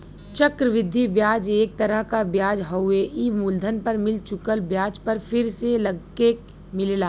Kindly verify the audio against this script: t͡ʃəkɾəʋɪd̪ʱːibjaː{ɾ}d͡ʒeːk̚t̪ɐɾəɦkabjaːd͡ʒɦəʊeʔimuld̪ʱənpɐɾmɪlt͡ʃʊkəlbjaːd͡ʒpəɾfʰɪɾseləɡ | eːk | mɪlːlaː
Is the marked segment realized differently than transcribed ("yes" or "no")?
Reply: yes